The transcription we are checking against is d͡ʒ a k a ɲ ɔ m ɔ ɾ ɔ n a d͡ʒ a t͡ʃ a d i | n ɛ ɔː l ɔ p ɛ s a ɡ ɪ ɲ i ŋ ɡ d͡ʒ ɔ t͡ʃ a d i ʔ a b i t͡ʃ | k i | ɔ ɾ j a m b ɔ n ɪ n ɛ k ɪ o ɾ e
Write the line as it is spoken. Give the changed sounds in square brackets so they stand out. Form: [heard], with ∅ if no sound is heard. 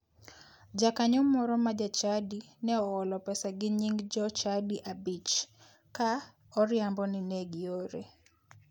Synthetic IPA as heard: d͡ʒ a k a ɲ ɔ m ɔ ɾ ɔ [m] a d͡ʒ a t͡ʃ a d i | n ɛ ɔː l ɔ p ɛ s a ɡ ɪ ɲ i ŋ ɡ d͡ʒ ɔ t͡ʃ a d i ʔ a b i t͡ʃ | k [a] | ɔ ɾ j a m b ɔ n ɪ n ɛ [ɡ] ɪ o ɾ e